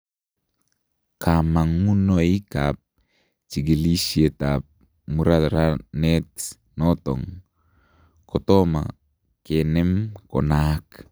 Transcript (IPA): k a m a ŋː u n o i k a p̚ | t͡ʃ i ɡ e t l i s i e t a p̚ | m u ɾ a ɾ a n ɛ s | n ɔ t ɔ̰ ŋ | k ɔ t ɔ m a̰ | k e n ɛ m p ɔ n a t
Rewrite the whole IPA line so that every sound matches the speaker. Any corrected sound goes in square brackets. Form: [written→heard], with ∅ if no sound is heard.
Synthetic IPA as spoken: k a m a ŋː u n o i k a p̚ | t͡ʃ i ɡ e [t→∅] l i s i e t a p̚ | m u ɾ a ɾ a n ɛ [s→t] | n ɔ t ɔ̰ ŋ | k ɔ t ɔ m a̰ | k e n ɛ m [p→k] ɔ n a [t→k]